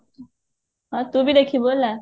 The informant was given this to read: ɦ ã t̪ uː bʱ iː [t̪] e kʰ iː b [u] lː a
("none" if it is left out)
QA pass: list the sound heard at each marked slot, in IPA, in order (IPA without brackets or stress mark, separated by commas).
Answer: d̪, o